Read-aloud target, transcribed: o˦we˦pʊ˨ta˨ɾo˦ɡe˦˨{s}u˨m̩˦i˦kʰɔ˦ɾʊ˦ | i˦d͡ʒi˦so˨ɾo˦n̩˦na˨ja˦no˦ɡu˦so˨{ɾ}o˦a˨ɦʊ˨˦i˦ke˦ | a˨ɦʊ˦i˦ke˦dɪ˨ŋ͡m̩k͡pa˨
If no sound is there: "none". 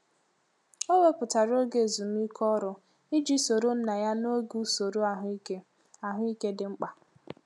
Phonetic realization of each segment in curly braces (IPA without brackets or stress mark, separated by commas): z, ɾ